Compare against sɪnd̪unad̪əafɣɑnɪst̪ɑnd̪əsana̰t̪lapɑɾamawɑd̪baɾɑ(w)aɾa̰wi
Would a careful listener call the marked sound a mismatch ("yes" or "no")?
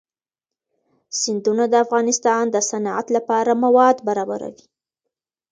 yes